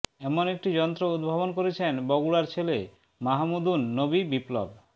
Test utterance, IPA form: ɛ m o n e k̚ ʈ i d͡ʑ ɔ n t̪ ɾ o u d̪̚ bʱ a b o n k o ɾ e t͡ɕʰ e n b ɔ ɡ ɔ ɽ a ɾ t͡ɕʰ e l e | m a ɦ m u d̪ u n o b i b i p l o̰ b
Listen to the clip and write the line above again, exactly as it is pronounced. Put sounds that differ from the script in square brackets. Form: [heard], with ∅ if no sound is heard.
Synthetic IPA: ɛ m o n e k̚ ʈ i d͡ʑ ɔ n t̪ ɾ o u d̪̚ bʱ a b o n k o ɾ e t͡ɕʰ e n b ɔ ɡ [u] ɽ a ɾ t͡ɕʰ e l e | m a ɦ m u d̪ u [nː] o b i b i p l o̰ b

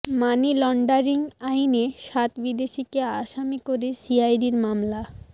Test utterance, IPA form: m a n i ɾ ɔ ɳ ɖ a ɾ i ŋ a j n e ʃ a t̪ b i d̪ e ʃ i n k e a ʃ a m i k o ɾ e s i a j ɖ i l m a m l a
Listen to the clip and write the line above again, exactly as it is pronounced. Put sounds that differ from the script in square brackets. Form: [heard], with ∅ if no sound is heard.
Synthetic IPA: m a n i [l] ɔ ɳ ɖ a ɾ i ŋ a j n e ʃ a t̪ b i d̪ e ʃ i [∅] k e a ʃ a m i k o ɾ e s i a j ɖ i [ɾ] m a m l a

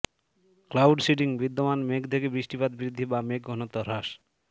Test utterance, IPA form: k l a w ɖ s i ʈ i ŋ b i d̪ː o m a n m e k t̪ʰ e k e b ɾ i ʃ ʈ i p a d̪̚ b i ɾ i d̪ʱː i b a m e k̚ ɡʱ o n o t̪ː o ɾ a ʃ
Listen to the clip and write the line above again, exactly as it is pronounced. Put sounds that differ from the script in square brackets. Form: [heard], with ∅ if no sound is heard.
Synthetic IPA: k l a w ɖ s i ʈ i ŋ b i d̪ː o m a n m e k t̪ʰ e k e b ɾ i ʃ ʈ i p a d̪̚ b i ɾ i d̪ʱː i b a m e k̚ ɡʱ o n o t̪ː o ɾ a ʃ

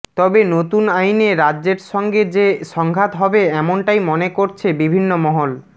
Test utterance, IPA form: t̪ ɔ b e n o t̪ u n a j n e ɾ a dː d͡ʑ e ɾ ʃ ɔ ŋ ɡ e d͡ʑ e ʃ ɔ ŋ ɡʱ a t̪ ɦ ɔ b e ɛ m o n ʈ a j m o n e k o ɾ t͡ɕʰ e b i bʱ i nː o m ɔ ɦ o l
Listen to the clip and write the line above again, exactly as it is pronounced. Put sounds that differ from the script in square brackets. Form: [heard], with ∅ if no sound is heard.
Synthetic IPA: t̪ ɔ b e n o t̪ u n a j n e ɾ a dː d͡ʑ e ɾ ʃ ɔ ŋ ɡ e d͡ʑ e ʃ ɔ ŋ ɡʱ a t̪ ɦ ɔ b e ɛ m o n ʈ a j m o n e k o ɾ t͡ɕʰ e b i bʱ i nː o m ɔ ɦ o l

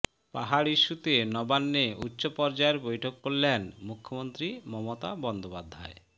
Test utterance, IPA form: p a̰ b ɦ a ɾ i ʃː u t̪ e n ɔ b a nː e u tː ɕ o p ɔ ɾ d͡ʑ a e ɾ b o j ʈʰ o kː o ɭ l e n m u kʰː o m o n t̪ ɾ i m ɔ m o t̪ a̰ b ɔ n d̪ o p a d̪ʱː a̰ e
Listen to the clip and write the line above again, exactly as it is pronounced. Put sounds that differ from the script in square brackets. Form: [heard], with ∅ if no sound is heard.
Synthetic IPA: p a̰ [∅] ɦ a ɾ i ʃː u t̪ e n ɔ b a nː e u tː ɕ o p ɔ ɾ d͡ʑ a e ɾ b o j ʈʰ o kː o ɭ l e n m u kʰː o m o n t̪ ɾ i m ɔ m o t̪ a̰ b ɔ n d̪ o p a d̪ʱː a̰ e

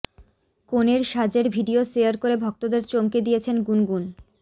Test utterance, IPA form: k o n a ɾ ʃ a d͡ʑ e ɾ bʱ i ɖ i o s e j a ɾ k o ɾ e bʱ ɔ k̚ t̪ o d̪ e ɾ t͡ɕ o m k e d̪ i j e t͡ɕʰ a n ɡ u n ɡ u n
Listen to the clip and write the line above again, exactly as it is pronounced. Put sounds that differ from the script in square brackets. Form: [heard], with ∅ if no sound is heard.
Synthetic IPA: k o n [e] ɾ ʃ a d͡ʑ e ɾ bʱ i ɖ i o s e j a ɾ k o ɾ e bʱ ɔ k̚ t̪ o d̪ e ɾ t͡ɕ o m k e d̪ i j e t͡ɕʰ [e] n ɡ u n ɡ u n

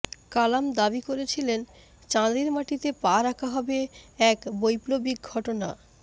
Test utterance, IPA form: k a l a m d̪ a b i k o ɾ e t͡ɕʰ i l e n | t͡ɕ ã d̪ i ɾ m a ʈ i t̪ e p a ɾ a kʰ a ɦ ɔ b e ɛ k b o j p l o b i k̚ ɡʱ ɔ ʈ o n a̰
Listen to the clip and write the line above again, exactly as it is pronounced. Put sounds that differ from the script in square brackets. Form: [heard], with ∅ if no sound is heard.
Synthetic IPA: k a l a m d̪ a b i k o ɾ e t͡ɕʰ i l e n | t͡ɕ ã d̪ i ɾ m a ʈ i t̪ e p a ɾ a kʰ a ɦ ɔ b e ɛ k b o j p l o b i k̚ ɡʱ ɔ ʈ o n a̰

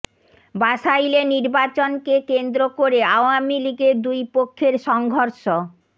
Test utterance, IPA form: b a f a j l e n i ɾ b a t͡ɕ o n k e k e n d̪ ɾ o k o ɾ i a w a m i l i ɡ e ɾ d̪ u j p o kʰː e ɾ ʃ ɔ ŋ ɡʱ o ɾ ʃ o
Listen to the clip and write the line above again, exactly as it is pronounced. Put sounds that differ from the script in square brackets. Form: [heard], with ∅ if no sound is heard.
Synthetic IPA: b a [ʃ] a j l e n i ɾ b a t͡ɕ o n k e k e n d̪ ɾ o k o ɾ [e] a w a m i l i ɡ e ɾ d̪ u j p o kʰː e ɾ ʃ ɔ ŋ ɡʱ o ɾ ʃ o

